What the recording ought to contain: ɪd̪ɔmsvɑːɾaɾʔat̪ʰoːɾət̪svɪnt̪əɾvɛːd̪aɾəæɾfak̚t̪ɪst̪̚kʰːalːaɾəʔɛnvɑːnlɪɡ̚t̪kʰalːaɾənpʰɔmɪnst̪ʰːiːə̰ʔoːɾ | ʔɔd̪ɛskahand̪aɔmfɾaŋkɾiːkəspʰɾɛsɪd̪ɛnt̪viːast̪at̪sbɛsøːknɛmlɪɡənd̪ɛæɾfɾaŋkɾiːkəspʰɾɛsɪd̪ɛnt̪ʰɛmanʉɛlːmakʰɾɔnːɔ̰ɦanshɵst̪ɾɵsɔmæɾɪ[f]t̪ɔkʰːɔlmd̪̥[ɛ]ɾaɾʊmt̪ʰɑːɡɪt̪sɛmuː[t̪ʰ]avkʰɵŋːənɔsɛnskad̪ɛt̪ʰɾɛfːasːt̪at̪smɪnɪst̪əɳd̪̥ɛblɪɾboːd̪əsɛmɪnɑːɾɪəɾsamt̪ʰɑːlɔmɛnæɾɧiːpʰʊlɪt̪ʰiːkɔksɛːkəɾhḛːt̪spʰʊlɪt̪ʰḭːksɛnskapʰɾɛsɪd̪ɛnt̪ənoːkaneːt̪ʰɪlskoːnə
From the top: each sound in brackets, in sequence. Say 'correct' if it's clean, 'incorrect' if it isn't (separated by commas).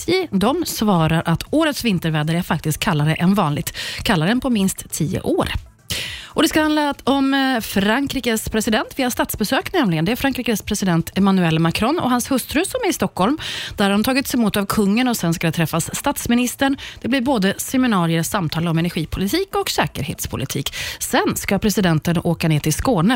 incorrect, incorrect, incorrect